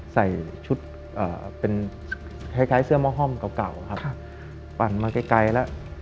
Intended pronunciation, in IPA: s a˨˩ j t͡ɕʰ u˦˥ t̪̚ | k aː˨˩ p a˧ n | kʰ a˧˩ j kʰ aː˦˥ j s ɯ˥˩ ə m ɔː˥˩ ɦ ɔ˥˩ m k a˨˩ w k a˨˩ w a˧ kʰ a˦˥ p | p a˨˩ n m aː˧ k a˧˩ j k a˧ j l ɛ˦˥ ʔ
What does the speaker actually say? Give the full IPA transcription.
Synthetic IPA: s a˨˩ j t͡ɕʰ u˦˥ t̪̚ | ʔ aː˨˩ p e˧ n | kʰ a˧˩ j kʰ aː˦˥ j s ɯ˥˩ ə m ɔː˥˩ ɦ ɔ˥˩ m k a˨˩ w k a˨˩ w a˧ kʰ a˦˥ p | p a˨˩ n m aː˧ k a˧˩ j k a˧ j l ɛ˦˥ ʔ